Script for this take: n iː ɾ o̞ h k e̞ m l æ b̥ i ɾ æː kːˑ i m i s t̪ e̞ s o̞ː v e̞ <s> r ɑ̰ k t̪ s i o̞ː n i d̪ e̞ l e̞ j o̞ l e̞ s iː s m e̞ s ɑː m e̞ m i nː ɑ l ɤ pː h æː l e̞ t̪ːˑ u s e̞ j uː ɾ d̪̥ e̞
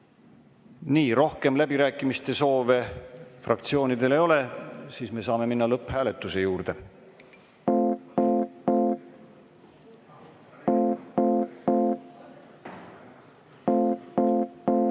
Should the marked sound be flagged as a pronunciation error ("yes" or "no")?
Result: yes